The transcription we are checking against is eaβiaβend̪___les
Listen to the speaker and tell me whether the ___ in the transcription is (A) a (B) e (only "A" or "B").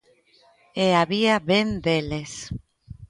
B